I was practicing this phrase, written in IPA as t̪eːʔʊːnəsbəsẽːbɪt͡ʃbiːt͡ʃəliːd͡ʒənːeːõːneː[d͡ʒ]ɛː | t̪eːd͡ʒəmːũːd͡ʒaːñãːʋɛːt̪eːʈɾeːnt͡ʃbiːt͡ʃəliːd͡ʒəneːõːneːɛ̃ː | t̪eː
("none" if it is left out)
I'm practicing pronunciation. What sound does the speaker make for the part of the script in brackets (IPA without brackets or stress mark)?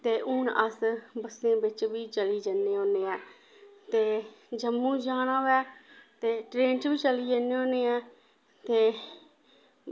none